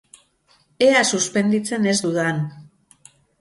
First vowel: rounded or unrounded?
unrounded